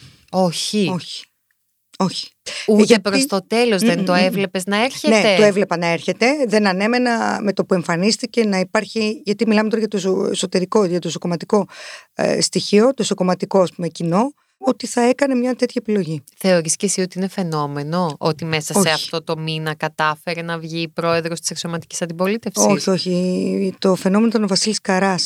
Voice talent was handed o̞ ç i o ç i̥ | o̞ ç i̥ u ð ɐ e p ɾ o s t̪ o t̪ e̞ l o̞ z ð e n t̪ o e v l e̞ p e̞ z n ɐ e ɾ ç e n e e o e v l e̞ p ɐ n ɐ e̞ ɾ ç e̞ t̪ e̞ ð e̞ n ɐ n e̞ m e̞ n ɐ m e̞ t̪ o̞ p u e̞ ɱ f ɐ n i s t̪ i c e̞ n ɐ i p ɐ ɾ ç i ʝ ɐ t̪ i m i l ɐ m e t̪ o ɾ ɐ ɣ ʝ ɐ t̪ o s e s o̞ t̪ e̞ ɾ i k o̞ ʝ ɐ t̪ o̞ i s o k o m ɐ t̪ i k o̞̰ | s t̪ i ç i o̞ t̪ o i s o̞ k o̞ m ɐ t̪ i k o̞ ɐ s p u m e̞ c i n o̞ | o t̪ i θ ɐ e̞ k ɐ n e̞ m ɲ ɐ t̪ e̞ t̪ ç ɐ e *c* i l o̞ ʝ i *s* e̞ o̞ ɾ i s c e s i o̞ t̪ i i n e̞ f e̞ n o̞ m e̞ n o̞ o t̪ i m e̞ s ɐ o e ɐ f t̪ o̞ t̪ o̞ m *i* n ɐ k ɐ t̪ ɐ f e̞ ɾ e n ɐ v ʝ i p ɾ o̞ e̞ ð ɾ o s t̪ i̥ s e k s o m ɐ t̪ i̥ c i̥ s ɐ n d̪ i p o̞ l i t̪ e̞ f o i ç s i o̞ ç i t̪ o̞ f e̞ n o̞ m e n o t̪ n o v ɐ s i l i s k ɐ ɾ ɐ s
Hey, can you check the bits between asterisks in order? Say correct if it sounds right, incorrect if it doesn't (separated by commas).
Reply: incorrect, incorrect, correct